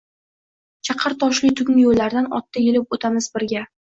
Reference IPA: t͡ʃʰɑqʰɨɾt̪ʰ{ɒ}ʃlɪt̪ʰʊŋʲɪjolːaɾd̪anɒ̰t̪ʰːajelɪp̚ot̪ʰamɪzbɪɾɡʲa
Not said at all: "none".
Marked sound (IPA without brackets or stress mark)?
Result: ɒ